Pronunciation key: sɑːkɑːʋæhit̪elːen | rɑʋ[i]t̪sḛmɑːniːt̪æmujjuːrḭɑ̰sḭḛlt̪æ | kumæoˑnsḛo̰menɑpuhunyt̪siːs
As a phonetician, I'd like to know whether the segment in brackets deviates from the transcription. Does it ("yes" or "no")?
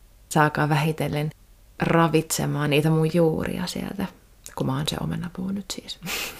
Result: no